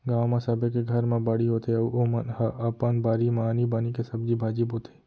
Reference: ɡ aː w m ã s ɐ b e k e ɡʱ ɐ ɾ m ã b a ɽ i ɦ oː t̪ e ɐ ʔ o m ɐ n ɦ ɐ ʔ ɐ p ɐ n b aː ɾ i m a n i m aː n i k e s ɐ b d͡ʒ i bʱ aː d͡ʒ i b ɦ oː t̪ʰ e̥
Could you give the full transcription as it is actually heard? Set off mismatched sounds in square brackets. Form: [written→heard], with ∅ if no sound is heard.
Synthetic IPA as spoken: ɡ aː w m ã s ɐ b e k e ɡʱ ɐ ɾ m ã b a ɽ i ɦ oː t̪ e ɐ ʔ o m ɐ n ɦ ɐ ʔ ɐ p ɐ n b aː ɾ i m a n i [m→b] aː n i k e s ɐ b d͡ʒ i bʱ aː d͡ʒ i b ɦ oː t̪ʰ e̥